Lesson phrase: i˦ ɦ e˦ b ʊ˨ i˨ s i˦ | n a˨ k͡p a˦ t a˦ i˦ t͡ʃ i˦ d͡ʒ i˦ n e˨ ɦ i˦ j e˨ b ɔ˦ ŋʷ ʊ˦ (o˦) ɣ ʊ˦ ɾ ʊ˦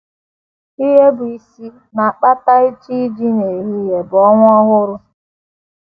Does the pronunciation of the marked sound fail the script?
yes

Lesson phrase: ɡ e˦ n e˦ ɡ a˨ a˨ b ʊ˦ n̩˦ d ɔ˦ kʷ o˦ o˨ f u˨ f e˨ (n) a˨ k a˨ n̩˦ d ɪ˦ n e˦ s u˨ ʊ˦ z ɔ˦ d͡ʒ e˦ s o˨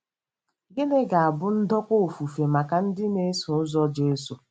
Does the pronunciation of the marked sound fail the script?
yes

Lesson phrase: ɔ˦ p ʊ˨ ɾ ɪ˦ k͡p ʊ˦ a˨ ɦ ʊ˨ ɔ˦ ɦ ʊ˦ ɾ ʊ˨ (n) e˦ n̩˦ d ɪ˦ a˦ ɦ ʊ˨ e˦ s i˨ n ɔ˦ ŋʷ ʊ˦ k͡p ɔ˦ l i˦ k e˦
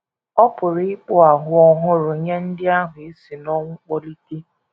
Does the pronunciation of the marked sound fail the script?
yes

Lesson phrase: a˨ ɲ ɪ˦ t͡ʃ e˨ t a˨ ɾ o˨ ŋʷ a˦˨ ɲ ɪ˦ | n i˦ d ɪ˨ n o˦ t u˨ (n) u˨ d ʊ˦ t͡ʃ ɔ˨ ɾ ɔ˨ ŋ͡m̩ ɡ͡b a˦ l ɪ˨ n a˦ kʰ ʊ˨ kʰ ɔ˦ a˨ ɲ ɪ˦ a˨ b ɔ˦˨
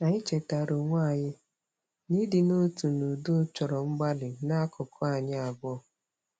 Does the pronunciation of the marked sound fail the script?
no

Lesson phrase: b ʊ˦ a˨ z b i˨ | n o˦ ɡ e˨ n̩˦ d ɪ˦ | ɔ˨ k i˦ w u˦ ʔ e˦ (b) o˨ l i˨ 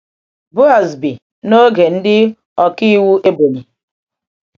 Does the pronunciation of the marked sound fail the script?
no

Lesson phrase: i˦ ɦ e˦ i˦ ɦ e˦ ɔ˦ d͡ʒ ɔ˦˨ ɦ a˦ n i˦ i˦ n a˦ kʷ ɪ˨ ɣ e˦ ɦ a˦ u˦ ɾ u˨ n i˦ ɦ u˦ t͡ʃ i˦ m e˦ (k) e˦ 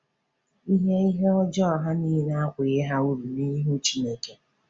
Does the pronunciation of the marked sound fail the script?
no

